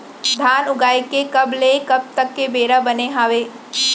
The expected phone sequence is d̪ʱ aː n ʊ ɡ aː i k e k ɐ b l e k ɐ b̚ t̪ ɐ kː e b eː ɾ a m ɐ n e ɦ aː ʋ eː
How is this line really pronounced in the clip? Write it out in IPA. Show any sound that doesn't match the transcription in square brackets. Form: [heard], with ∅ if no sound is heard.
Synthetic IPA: d̪ʱ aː n ʊ ɡ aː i k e k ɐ b l e k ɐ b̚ t̪ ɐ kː e b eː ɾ a [b] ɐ n e ɦ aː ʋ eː